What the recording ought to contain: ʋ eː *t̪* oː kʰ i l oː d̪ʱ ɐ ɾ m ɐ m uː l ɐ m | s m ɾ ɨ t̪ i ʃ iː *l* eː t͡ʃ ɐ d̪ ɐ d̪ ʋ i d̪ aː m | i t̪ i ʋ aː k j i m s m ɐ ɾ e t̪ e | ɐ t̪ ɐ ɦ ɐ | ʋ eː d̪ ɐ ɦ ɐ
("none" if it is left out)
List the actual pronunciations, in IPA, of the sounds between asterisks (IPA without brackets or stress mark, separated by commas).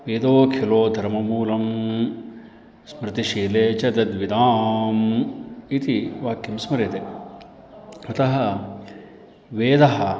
d̪, l